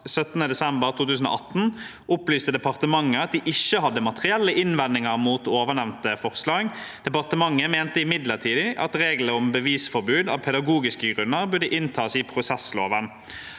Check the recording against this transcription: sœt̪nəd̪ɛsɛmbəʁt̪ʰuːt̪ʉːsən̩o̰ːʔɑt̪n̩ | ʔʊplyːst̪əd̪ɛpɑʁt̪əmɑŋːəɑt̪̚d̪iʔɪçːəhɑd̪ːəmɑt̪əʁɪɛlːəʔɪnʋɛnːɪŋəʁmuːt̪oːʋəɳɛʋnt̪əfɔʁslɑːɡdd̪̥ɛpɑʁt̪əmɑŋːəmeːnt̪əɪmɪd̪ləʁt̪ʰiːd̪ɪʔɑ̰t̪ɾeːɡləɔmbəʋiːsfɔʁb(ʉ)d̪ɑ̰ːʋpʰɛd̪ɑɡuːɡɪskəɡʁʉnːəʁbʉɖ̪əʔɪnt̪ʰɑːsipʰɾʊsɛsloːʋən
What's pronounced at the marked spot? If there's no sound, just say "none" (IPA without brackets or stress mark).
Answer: ʉː